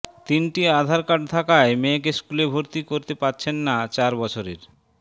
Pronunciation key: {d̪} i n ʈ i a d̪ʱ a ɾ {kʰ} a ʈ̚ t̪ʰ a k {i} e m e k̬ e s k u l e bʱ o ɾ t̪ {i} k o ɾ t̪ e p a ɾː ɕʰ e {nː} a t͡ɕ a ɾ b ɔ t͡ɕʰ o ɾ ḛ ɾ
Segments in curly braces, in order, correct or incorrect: incorrect, incorrect, incorrect, correct, correct

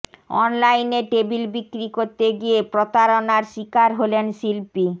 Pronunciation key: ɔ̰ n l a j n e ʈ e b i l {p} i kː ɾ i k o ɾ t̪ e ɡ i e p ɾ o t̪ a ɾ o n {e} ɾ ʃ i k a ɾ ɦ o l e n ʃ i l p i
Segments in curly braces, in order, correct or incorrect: incorrect, incorrect

